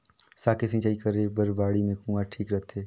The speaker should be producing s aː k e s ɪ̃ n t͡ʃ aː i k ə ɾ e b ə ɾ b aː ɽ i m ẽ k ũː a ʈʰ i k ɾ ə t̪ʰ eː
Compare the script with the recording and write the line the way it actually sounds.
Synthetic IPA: s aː k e s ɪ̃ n t͡ʃ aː i k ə ɾ e b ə ɾ b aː ɽ i m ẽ k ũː a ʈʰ iː k ɾ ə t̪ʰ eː